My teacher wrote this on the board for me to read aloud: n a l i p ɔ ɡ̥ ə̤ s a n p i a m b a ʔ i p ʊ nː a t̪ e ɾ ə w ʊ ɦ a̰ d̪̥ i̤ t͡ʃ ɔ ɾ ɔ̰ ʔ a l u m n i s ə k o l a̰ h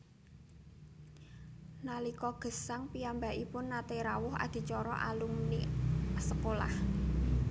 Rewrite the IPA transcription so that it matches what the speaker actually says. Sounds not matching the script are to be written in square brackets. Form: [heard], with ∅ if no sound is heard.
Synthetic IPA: n a l i [k] ɔ ɡ̥ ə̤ s a [ŋ] p i a m b a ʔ i p ʊ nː a t̪ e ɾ [a] w ʊ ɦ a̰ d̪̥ i̤ t͡ʃ ɔ ɾ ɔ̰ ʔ a l u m n i s ə k o l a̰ h